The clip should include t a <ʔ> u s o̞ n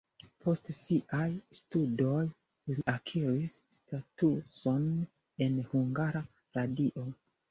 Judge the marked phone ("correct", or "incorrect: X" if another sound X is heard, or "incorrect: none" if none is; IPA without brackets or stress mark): incorrect: t